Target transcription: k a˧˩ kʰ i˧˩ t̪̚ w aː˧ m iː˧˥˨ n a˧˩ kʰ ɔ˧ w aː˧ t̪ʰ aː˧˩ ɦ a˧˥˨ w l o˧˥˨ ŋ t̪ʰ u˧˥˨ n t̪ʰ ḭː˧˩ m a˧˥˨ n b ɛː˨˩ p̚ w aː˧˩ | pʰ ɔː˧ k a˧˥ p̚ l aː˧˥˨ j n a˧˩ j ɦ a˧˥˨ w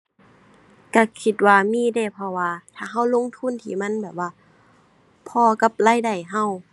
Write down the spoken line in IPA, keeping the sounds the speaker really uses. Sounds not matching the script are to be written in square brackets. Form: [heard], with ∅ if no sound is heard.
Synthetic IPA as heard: k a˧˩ kʰ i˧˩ t̪̚ w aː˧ m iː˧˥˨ [d] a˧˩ [pʰ] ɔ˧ w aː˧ t̪ʰ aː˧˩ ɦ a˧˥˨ w l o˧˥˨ ŋ t̪ʰ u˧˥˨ n t̪ʰ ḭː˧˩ m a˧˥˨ n b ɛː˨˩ p̚ w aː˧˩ | pʰ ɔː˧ k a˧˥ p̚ l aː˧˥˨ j [d] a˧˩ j ɦ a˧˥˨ w